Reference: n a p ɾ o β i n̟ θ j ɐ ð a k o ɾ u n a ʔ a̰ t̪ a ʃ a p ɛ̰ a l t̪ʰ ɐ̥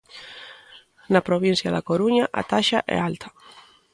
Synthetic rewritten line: n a p ɾ o β i n̟ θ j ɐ ð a k o ɾ u ɲ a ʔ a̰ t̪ a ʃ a ʔ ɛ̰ a l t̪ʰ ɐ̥